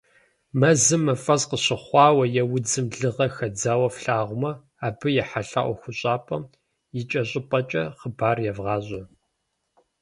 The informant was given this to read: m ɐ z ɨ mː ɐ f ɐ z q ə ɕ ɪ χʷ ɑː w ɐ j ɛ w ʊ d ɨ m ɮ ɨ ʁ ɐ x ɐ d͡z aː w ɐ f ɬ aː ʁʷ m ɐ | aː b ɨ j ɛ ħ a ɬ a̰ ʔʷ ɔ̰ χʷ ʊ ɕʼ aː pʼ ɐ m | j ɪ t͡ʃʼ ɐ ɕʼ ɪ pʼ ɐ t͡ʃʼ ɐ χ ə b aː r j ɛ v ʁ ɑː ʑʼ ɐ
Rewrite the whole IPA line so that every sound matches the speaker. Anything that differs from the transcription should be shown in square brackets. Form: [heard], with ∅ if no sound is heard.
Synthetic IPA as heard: m ɐ z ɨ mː ɐ f ɐ z q ə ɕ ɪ χʷ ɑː w ɐ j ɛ w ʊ [d͡z] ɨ m ɮ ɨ ʁ ɐ x ɐ d͡z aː w ɐ f ɬ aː ʁʷ m ɐ | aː b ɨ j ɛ ħ a ɬ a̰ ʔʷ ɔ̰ [xʷ] ʊ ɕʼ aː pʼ ɐ m | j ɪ t͡ʃʼ ɐ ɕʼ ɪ pʼ ɐ t͡ʃʼ ɐ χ ə b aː r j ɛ v ʁ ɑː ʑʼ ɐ